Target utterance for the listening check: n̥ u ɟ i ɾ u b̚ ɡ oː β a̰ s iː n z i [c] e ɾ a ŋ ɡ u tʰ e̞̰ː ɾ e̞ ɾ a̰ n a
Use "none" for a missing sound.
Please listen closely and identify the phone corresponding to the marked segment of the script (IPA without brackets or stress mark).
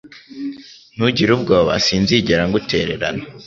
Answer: ɟ